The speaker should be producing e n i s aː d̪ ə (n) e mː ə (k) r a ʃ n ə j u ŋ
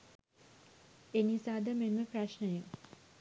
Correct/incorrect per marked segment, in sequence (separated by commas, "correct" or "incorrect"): incorrect, incorrect